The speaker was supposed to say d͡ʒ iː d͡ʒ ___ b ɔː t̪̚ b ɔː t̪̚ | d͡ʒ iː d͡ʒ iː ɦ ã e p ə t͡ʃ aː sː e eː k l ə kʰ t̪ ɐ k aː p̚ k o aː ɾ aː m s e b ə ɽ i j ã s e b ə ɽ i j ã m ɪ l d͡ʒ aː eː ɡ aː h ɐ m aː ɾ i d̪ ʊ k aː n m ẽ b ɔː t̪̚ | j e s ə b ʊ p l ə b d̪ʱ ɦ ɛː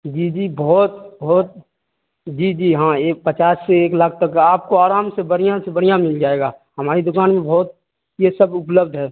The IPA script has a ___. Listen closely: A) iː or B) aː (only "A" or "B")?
A